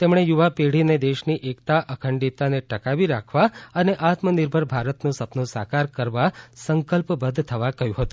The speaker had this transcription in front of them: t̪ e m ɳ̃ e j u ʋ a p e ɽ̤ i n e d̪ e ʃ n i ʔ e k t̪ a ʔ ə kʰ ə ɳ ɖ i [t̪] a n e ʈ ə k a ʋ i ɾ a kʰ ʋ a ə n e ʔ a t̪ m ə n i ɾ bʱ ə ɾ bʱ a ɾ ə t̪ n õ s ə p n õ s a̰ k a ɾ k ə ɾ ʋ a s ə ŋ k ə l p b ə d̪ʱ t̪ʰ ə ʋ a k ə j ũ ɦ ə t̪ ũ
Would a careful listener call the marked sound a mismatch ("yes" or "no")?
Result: no